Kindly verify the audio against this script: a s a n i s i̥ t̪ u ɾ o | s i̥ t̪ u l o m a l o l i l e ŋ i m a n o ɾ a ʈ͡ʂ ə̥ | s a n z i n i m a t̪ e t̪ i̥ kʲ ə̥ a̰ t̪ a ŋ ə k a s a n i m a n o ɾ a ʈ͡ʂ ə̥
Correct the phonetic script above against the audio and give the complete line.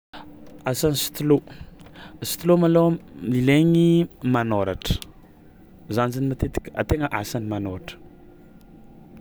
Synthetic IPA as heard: a s a n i s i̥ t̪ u l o | s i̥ t̪ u l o m a l o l i l e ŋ i m a n o ɾ a ʈ͡ʂ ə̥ | z a n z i n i m a t̪ e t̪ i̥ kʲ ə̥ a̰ t̪ e ŋ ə ʔ a s a n i m a n o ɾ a ʈ͡ʂ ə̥

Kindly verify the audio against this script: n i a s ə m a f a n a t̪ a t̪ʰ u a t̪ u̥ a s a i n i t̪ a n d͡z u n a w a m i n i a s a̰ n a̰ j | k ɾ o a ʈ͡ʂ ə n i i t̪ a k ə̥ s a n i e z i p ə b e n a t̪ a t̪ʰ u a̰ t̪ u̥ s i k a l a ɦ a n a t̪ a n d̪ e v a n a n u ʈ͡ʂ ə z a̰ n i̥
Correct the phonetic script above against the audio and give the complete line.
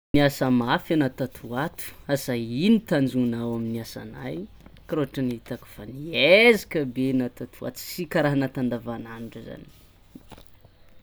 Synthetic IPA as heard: n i a s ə m a f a n a t̪ a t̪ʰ u a t̪ u̥ a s a i n i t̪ a n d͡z u n a w a m i n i a s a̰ n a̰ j | k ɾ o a ʈ͡ʂ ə n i i t̪ a k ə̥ f a n i e z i k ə b e n a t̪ a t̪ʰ u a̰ t̪ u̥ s i k a ɾ a ɦ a n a t̪ a n d̪ a v a n a n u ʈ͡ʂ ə z a̰ n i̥

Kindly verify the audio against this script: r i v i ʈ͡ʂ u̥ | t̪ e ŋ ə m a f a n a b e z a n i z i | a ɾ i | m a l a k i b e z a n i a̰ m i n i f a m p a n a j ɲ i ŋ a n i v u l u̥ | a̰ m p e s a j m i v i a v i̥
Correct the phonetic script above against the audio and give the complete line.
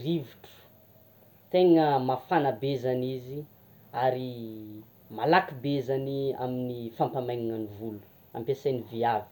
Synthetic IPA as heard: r i v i ʈ͡ʂ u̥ | t̪ e ŋ ə m a f a n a b e z a n i z i | a ɾ i | m a l a k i b e z a n i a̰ m i n i f a m p a m a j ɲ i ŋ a n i v u l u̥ | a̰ m p e s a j n i v i a v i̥

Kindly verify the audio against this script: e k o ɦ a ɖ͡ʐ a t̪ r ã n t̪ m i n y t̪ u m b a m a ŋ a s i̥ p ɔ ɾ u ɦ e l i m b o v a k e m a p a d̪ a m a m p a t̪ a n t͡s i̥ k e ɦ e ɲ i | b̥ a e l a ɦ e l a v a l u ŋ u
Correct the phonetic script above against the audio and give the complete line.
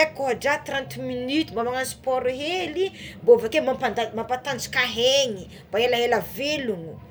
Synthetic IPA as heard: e k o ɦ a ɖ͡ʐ a t̪ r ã n t̪ m i n y t̪ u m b a m a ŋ a s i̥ p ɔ ɾ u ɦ e l i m b o v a k e m a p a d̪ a m a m p a t̪ a n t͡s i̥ k a ɦ e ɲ i | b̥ a e l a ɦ e l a v e l u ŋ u

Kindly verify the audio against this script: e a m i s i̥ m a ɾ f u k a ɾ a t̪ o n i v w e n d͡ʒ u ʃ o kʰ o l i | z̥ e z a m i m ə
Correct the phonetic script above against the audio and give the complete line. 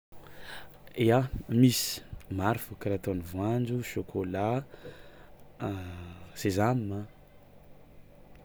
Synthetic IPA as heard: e a m i s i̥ m a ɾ f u k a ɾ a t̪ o n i v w a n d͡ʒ u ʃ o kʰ o l a | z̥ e z a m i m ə

